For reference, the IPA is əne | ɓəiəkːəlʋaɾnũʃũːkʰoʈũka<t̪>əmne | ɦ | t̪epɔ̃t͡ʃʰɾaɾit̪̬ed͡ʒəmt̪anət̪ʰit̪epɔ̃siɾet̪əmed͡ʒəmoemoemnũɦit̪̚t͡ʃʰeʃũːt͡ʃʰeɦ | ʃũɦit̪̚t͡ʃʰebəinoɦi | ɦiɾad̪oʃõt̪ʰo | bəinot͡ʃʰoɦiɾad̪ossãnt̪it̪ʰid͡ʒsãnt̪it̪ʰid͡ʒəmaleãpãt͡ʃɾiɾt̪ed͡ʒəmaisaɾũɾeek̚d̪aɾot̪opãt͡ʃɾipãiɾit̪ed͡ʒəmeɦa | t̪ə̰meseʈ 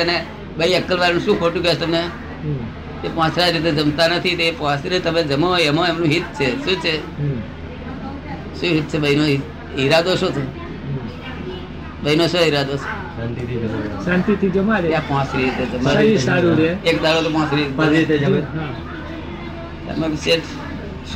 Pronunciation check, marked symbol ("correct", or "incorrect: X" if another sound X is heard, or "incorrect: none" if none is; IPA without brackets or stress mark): correct